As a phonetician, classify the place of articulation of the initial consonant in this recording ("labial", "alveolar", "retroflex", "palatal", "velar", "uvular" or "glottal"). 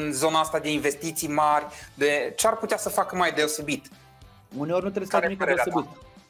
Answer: alveolar